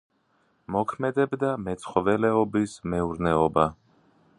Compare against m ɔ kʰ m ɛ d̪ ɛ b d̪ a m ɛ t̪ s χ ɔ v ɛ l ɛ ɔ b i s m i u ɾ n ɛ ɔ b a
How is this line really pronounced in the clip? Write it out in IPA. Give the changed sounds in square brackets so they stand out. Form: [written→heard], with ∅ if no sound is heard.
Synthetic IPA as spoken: m ɔ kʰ m ɛ d̪ ɛ b d̪ a m ɛ t̪ s χ ɔ v ɛ l ɛ ɔ b i s m [i→ɛ] u ɾ n ɛ ɔ b a